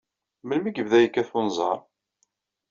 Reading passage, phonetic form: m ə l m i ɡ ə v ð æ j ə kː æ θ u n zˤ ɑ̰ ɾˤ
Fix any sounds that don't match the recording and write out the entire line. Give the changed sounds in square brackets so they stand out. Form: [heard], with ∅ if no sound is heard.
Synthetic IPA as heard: m ə l m i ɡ ə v ð æ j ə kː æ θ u n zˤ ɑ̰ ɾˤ